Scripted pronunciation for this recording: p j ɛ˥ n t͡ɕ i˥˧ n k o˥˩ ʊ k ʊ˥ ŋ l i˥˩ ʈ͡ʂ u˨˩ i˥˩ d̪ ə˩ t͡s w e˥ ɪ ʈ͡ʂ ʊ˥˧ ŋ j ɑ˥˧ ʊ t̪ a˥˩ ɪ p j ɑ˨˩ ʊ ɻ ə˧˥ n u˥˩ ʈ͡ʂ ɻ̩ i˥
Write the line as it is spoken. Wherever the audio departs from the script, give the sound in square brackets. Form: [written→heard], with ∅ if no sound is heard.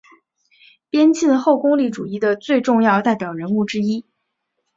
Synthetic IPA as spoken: p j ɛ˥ n t͡ɕ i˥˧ n [k→x] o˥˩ ʊ k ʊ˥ ŋ l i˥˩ ʈ͡ʂ u˨˩ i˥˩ d̪ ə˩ t͡s w [e˥→e˥˧] ɪ ʈ͡ʂ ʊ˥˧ ŋ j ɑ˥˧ ʊ t̪ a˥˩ ɪ p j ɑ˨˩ ʊ ɻ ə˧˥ n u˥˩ ʈ͡ʂ ɻ̩ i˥